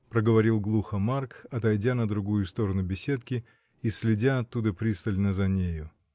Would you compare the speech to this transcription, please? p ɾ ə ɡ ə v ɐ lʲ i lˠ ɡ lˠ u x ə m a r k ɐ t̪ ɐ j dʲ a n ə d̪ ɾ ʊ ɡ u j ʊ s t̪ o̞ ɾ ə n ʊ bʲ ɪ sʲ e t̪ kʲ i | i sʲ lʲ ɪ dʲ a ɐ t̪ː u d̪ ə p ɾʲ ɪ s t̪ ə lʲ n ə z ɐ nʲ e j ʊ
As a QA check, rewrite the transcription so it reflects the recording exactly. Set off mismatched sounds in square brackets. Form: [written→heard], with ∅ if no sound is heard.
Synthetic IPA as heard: p ɾ ə ɡ ə v ɐ [lʲ→ɾʲ] i lˠ ɡ lˠ u x ə m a r k ɐ t̪ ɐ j dʲ a n ə d̪ ɾ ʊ ɡ u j ʊ s t̪ o̞ ɾ ə n ʊ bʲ ɪ sʲ e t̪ kʲ [i→ɪ] | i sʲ lʲ ɪ dʲ a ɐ t̪ː u d̪ ə p ɾʲ [ɪ→i] s t̪ ə lʲ n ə z ɐ nʲ e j ʊ